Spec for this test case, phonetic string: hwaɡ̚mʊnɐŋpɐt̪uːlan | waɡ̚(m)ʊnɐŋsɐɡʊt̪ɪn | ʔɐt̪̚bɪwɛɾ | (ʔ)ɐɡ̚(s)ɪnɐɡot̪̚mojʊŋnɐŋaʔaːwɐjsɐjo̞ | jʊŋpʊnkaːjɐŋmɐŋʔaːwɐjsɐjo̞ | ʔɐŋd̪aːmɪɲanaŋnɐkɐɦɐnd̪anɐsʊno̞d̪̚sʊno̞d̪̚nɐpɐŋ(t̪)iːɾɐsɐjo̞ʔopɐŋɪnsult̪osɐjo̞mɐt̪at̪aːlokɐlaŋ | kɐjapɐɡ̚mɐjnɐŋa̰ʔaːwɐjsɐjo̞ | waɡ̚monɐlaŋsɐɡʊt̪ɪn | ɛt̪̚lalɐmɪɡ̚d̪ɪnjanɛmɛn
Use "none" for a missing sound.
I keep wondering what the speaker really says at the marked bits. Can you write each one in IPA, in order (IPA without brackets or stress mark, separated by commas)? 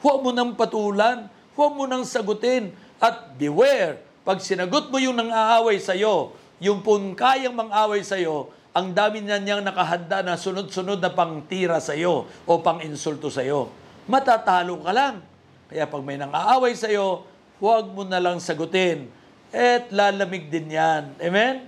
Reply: m, p, s, t̪